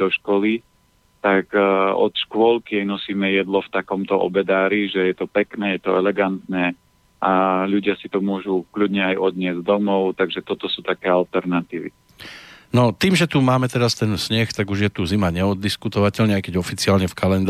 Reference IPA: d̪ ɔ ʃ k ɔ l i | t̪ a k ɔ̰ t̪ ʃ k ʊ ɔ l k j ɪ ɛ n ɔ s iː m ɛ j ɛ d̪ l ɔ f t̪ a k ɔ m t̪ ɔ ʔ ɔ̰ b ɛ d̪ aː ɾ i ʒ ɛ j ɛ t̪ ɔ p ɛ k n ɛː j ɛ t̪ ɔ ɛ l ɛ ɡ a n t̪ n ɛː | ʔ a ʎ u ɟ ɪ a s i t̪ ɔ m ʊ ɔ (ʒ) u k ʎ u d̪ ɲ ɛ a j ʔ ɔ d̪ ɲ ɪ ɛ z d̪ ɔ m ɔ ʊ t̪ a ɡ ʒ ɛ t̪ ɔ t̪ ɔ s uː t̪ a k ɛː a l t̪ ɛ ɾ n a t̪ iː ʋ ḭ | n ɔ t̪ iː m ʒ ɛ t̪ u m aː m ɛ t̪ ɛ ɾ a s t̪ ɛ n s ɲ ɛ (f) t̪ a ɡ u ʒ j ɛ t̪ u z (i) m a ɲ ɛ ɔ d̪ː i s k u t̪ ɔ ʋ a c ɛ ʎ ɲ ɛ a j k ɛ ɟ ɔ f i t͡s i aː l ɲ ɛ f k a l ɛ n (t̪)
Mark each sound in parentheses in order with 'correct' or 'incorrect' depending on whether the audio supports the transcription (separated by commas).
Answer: correct, incorrect, correct, incorrect